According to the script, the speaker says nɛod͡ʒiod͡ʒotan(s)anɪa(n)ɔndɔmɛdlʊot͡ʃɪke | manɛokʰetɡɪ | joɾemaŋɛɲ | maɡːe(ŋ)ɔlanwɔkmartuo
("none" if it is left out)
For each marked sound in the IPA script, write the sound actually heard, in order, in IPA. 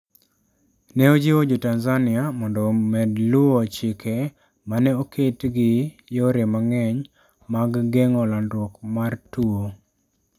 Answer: z, m, ŋ

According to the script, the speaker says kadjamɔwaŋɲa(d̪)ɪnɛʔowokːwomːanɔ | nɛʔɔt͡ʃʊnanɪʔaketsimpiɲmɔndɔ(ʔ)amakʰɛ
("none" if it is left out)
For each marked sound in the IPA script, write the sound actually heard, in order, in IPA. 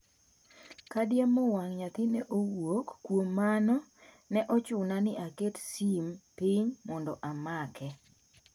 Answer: t̪, ʔ

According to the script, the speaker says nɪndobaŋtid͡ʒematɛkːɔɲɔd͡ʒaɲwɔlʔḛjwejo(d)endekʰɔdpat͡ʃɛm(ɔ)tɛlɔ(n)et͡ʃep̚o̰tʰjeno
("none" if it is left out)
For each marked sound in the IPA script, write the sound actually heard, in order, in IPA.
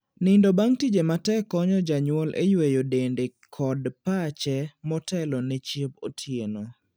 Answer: d, ɔ, n

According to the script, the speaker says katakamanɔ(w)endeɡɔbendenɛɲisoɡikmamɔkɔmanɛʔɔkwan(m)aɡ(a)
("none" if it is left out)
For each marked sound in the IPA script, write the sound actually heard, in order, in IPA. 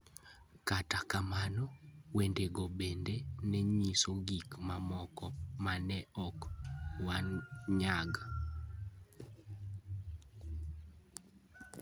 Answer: w, ɲ, a

